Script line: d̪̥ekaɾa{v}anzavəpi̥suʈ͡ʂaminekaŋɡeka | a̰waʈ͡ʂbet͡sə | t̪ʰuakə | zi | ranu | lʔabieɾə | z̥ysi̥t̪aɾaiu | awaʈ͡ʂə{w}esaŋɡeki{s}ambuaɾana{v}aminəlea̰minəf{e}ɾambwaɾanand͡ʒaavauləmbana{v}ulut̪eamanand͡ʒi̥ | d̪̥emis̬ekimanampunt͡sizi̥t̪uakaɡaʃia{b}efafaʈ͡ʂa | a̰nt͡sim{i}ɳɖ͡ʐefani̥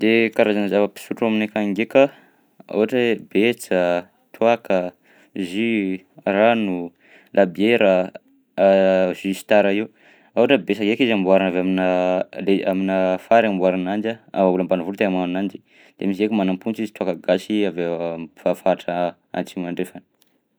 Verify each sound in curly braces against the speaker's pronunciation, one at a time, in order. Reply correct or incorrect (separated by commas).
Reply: incorrect, incorrect, incorrect, correct, incorrect, correct, incorrect, incorrect